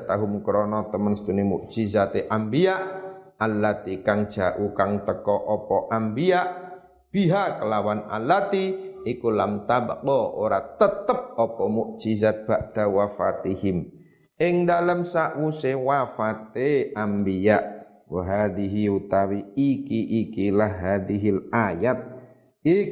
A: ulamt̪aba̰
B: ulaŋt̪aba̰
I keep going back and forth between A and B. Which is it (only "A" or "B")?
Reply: A